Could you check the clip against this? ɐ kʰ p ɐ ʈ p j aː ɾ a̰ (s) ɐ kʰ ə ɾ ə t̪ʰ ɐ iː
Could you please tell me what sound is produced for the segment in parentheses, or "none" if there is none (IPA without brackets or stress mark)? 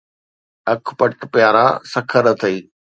s